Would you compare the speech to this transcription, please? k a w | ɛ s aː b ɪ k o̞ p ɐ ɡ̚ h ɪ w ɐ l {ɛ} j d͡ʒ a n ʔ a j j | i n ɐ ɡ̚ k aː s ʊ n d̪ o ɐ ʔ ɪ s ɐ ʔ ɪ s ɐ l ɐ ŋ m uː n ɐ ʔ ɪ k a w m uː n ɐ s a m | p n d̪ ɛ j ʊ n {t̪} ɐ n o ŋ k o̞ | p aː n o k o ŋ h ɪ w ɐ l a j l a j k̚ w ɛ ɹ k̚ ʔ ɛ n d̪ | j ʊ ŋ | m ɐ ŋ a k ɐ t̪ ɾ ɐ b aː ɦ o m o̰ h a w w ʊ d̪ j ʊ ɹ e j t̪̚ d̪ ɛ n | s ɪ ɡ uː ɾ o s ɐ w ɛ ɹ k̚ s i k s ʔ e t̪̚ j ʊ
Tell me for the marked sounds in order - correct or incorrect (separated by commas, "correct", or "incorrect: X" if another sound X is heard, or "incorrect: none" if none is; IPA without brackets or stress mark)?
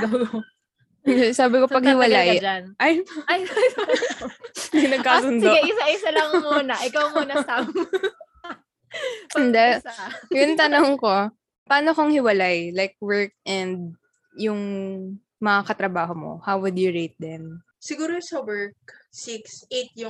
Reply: incorrect: a, correct